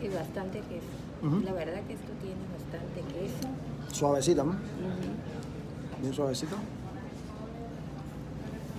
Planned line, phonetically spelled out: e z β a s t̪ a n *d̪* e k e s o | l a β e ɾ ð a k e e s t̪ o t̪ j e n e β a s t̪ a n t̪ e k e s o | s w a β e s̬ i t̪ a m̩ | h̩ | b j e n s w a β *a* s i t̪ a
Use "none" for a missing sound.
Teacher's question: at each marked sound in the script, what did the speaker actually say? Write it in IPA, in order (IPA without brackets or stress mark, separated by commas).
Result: t̪, e